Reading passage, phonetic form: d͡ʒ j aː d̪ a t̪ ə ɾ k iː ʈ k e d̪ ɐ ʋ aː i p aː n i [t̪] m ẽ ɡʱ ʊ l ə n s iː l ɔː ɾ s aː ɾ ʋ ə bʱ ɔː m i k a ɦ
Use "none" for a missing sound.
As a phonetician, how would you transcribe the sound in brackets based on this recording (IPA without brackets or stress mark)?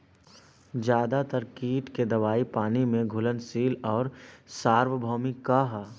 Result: none